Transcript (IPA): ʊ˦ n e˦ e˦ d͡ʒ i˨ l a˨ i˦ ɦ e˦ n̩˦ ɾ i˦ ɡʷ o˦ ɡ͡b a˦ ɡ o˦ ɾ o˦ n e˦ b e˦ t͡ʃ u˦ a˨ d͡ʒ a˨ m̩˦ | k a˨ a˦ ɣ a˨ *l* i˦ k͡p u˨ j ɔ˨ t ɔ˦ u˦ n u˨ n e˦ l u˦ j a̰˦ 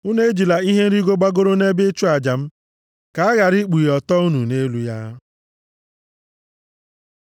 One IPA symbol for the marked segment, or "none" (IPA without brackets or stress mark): ɾ